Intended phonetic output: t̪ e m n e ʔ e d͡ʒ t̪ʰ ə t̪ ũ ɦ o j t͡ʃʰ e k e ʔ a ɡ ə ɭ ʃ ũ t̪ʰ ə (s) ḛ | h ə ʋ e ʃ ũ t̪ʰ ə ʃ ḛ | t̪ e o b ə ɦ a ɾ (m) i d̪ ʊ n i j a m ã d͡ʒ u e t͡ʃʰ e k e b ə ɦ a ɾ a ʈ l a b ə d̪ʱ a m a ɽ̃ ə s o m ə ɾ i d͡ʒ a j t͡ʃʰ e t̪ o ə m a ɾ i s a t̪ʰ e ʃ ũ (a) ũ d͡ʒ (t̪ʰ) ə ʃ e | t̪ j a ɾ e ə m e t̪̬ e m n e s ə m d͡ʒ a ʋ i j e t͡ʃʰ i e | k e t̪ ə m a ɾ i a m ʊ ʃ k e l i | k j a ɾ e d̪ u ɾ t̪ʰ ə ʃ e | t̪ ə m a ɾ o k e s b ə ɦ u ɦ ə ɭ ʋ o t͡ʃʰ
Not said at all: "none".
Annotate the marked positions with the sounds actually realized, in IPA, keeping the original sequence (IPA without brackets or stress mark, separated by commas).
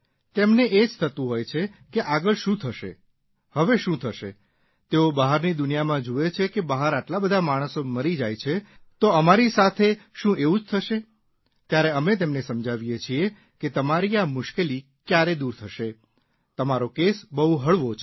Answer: ʃ, n, e, t̪ʰ